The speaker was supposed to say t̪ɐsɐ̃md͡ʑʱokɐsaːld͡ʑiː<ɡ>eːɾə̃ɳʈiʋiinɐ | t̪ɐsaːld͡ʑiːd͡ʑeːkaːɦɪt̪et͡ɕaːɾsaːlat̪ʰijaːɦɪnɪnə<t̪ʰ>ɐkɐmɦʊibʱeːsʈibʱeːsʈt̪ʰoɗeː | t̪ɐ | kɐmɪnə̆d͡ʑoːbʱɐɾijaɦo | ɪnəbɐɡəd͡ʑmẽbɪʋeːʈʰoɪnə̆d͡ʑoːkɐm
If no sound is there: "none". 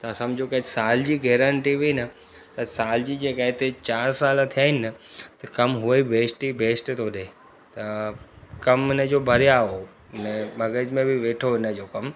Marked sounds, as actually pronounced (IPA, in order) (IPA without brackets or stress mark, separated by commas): ɡ, t̪